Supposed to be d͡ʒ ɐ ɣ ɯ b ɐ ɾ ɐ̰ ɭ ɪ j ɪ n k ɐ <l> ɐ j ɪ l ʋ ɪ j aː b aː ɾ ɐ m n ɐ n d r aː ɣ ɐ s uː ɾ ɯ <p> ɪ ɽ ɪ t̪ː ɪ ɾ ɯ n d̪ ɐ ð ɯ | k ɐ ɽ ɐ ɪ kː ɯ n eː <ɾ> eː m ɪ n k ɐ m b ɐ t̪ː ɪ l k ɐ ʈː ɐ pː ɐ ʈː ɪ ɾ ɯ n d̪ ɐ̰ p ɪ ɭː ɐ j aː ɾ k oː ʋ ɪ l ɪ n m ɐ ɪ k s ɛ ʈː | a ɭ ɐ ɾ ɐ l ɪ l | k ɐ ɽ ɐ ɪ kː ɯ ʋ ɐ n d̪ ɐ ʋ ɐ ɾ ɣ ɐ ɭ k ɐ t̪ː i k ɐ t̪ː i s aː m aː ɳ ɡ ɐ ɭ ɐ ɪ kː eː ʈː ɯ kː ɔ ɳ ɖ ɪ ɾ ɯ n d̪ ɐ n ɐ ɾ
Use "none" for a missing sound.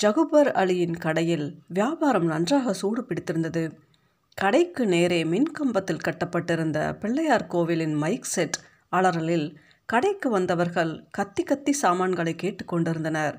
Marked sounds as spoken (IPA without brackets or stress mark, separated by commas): ɽ, p, ɾ